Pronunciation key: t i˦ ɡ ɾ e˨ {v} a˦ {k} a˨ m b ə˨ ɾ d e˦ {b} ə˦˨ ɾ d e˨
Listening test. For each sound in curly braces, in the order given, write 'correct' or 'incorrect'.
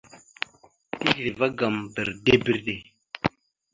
correct, incorrect: ɡ, correct

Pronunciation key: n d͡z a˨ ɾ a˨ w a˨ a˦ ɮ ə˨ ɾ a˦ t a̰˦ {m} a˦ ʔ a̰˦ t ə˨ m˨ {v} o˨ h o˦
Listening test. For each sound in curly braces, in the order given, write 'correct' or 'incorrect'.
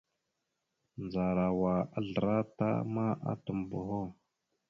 correct, incorrect: b

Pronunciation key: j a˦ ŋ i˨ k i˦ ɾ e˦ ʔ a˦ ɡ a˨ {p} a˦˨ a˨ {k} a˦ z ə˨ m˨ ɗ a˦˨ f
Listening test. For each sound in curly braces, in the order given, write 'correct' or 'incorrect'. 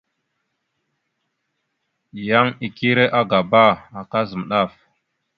incorrect: b, correct

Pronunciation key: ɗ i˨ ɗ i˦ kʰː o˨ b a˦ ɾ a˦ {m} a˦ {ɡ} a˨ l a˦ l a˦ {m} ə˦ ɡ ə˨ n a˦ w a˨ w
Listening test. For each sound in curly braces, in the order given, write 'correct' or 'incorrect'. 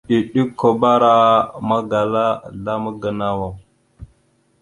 correct, correct, correct

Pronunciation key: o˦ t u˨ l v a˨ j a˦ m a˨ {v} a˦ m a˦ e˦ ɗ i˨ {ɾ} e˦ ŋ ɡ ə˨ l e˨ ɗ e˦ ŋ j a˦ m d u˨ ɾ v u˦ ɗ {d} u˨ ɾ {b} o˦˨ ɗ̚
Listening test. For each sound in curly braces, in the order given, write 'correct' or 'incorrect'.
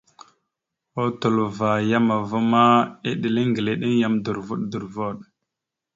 correct, incorrect: l, correct, incorrect: v

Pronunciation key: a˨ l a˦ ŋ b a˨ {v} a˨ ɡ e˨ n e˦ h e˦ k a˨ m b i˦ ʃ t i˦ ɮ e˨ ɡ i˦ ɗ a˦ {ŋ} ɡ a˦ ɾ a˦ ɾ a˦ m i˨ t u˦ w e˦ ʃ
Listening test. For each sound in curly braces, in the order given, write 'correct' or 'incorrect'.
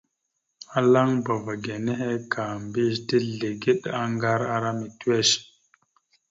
correct, correct

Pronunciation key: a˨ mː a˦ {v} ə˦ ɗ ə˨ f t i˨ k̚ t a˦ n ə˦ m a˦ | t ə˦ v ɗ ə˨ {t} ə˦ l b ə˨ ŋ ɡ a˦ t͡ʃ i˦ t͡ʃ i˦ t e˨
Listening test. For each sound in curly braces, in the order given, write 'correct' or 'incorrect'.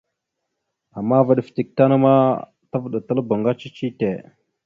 correct, correct

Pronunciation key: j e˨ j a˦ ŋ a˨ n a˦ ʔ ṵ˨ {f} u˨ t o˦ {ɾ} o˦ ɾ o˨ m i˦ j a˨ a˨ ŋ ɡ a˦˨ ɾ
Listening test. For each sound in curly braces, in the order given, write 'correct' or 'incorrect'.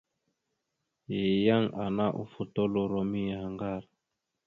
correct, incorrect: l

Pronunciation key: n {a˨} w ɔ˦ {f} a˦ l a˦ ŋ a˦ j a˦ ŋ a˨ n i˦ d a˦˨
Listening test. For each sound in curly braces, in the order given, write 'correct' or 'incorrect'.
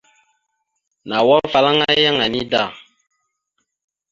correct, correct

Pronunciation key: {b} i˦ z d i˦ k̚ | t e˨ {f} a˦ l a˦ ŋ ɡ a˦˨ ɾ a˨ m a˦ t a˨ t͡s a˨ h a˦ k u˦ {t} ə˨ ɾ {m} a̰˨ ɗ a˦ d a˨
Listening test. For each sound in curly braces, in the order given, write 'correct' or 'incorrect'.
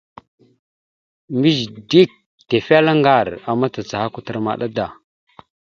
incorrect: m, correct, correct, correct

